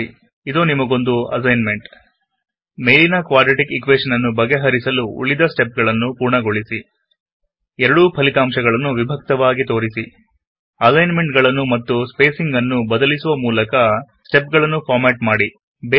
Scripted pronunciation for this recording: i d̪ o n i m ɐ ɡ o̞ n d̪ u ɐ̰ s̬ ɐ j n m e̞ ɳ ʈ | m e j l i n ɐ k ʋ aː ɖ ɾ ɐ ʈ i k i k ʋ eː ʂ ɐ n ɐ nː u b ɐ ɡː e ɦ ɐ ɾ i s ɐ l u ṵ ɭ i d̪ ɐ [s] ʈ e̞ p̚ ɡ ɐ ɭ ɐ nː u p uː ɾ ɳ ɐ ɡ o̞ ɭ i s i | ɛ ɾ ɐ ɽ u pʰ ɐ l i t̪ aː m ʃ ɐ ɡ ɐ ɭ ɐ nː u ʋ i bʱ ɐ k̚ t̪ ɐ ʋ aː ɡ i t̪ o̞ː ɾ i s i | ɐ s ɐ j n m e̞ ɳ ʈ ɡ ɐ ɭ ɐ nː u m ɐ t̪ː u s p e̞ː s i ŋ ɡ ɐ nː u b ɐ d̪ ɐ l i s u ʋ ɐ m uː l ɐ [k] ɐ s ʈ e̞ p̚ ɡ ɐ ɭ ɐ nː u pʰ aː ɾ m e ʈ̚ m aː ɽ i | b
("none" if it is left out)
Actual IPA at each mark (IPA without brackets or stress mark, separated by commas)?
s, k